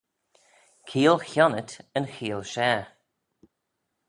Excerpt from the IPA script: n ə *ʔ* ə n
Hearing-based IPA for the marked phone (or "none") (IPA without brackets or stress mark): t